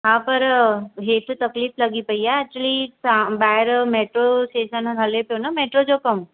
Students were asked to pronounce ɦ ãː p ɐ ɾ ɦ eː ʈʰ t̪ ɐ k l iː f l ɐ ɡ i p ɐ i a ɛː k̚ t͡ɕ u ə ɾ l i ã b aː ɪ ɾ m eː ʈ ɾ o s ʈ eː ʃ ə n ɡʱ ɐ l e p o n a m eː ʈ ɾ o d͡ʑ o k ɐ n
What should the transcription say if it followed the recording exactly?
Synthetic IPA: ɦ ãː p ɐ ɾ ɦ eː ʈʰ t̪ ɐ k l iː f l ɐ ɡ i p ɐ i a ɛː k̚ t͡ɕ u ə l i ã b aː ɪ ɾ m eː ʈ ɾ o s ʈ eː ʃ ə n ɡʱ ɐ l e p o n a m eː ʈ ɾ o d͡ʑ o k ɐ m